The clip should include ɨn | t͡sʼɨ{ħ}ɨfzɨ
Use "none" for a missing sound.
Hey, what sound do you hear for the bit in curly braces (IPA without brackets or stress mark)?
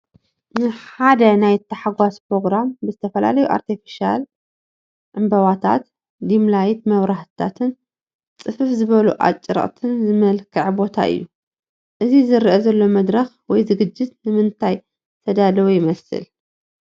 f